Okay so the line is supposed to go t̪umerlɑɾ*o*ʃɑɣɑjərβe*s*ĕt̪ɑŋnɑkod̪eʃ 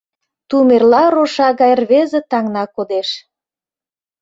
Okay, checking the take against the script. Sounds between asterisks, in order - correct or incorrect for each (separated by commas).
correct, incorrect